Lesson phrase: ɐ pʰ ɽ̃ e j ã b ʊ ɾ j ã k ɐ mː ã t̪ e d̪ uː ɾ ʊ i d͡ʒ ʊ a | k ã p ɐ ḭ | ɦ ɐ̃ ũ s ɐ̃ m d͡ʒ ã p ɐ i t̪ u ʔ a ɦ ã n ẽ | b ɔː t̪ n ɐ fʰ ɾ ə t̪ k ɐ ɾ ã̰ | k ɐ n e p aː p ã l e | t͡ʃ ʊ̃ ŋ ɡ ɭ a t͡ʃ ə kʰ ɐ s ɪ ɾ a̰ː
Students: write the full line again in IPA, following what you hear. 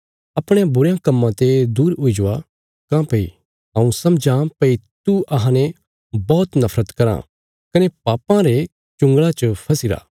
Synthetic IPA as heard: ɐ p ɽ̃ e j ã b ʊ ɾ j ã k ɐ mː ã t̪ e d̪ uː ɾ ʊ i d͡ʒ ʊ a | k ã p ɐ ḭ | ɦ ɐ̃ ũ s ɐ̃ m d͡ʒ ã p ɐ i t̪ u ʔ ɐ ɦ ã n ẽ | b ɔː t̪ n ɐ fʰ ɾ ə t̪ k ɐ ɾ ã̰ | k ɐ n e p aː p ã ɾ e | t͡ʃ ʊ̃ ŋ ɡ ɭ a t͡ʃ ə pʰ ɐ s ɪ ɾ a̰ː